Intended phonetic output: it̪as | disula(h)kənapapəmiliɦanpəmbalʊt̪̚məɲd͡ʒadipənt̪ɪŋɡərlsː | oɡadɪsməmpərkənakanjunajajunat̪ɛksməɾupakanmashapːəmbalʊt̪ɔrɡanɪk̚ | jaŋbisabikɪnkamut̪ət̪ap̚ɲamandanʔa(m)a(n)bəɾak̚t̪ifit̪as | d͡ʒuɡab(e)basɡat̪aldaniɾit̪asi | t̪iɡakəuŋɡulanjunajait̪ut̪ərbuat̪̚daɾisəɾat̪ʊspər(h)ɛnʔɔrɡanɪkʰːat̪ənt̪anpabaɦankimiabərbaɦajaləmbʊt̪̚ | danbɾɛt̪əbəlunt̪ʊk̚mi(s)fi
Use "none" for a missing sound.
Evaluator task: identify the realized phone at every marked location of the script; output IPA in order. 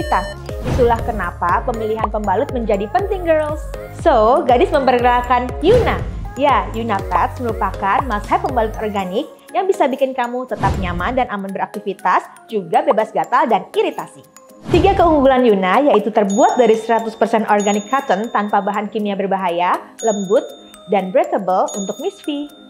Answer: h, m, n, e, s, s

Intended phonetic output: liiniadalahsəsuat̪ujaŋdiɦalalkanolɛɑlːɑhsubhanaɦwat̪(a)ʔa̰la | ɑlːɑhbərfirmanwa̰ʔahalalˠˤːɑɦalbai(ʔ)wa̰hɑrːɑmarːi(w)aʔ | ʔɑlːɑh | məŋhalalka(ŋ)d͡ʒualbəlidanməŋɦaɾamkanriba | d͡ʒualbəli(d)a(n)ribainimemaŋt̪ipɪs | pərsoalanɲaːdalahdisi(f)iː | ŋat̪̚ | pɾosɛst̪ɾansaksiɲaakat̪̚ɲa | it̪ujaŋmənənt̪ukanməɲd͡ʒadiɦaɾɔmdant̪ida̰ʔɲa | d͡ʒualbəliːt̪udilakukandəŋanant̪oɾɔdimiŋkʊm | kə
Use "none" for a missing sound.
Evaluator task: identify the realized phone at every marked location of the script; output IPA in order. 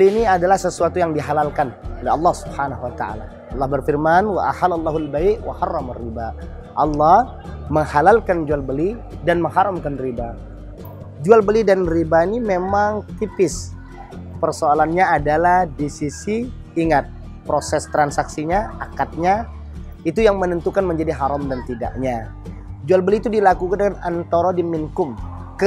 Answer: a, ʔ, b, n, d, n, s

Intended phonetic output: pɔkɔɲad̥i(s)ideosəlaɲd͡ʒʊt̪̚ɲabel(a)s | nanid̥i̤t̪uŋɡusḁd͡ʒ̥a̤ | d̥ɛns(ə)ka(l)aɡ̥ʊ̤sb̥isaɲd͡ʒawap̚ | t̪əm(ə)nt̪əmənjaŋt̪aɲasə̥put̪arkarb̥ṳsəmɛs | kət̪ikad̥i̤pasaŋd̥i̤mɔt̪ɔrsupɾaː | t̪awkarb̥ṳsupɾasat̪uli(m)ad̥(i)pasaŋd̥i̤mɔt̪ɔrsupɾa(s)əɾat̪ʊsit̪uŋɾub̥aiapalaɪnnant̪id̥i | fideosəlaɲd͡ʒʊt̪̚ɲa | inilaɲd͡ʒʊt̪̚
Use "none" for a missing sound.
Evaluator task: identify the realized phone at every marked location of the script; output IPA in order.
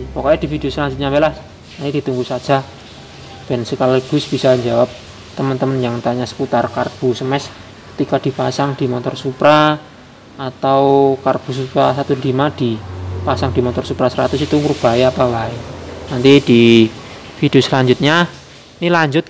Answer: f, a, ə, l, ə, m, i, s

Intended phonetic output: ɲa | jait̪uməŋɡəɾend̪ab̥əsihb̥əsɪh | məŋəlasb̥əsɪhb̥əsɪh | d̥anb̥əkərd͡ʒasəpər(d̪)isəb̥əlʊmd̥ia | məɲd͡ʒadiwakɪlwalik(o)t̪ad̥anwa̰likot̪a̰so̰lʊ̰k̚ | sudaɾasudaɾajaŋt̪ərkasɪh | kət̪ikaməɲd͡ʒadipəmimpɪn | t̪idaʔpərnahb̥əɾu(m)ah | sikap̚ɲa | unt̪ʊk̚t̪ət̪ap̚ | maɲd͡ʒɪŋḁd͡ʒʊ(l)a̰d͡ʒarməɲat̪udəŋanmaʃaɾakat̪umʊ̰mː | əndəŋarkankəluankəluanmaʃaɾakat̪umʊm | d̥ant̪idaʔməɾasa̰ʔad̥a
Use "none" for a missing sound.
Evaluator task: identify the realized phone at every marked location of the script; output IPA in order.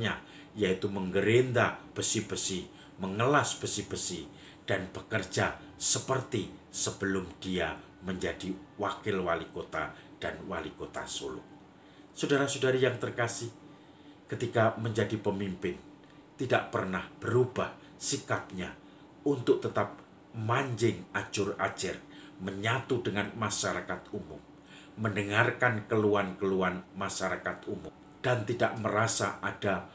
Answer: t̪, o, b, r

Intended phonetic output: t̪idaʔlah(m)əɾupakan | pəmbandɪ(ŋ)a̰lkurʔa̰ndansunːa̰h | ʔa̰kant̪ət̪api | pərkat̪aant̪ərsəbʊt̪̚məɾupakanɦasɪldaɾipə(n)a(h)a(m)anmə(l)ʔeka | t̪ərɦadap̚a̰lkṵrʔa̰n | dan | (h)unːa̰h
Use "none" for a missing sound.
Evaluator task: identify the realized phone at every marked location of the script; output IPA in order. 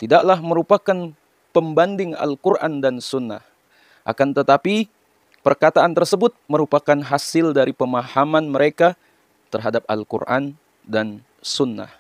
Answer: m, ŋ, m, h, m, ɾ, s

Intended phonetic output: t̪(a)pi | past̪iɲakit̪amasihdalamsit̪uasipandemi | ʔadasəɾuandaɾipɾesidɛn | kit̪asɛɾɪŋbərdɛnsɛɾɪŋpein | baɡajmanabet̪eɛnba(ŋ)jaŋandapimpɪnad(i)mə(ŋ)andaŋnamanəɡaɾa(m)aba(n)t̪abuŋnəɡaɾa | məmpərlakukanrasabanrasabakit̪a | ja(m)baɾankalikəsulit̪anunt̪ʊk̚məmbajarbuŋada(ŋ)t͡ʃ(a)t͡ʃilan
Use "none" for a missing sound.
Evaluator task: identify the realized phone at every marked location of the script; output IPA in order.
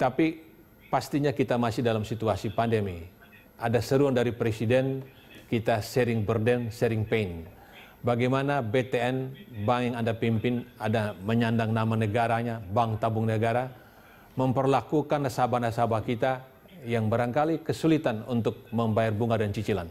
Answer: a, ŋ, a, ɲ, ɲ, ŋ, ŋ, n, i

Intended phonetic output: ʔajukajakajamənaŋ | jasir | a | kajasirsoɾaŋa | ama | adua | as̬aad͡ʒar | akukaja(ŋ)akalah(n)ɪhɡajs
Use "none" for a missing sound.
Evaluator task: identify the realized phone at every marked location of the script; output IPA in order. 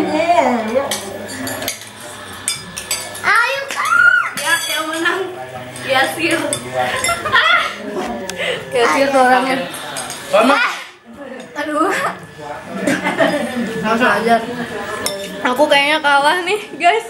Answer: ɲ, n

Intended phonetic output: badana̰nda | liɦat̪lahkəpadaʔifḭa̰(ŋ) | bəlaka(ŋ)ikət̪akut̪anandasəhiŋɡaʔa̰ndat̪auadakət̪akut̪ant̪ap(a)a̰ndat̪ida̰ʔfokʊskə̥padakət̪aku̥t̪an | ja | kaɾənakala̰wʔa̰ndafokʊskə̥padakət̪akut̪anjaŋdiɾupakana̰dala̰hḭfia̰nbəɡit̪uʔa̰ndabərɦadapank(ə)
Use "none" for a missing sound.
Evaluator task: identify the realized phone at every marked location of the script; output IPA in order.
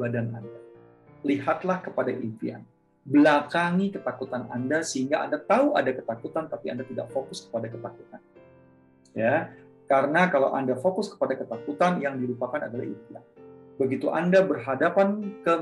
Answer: n, ŋ, i, ə

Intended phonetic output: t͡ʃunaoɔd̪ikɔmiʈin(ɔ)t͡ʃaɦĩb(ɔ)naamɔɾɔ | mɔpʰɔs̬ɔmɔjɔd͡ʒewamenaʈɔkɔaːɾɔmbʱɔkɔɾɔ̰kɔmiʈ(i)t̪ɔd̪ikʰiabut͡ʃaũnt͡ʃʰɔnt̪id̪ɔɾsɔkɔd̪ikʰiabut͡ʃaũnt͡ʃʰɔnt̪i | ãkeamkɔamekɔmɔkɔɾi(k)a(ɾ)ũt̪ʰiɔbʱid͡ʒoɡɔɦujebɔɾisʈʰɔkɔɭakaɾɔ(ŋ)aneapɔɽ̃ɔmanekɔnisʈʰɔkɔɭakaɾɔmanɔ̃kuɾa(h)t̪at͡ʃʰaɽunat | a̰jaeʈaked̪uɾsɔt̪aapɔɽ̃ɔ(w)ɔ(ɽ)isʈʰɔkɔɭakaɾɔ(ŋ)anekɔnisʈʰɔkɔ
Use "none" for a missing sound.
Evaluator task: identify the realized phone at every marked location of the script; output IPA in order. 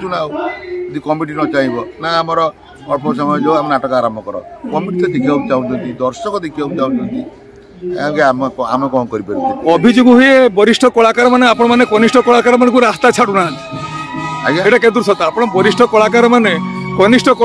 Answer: ɔ, ɔ, i, p, ɾ, m, s, b, ɾ, m

